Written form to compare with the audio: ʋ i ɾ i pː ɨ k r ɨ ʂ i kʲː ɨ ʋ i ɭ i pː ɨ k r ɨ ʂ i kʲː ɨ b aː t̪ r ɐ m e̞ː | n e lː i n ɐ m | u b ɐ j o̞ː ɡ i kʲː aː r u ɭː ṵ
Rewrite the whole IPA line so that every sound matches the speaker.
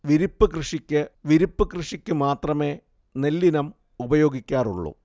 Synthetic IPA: ʋ i ɾ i pː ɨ k r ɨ ʂ i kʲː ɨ ʋ i ɾ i pː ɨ k r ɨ ʂ i kʲː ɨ m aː t̪ r ɐ m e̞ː | n e lː i n ɐ m | u b ɐ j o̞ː ɡ i kʲː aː r u ɭː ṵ